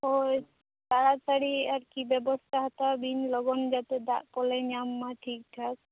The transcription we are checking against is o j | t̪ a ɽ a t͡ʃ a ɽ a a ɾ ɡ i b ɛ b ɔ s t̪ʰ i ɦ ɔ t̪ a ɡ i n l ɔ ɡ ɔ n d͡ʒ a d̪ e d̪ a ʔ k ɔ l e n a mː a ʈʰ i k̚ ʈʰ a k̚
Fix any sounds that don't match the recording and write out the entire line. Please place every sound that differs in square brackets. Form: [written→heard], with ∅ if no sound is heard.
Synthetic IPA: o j | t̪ a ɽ a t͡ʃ a ɽ [a→i] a ɾ [ɡ→k] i b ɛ b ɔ s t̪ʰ [i→a] ɦ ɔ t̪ a [ɡ→b] i n l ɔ ɡ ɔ n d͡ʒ a [d̪→t̪] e d̪ a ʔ k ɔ l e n a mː a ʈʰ i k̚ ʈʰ a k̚